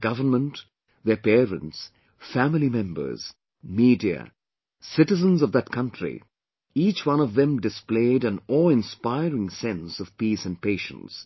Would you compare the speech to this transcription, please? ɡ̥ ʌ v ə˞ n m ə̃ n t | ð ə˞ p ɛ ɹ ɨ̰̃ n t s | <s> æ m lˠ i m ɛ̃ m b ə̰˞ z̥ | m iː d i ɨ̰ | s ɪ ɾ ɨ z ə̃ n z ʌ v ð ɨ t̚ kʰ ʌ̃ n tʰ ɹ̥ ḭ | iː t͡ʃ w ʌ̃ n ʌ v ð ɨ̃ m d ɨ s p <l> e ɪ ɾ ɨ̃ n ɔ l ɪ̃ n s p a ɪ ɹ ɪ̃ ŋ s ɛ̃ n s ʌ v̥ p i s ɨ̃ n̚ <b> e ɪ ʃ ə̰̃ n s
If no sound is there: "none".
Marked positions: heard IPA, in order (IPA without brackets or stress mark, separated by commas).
f, l, p